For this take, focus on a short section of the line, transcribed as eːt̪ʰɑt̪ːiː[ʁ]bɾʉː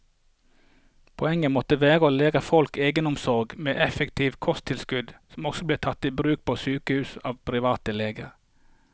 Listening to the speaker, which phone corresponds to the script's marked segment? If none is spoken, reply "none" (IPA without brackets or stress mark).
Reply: none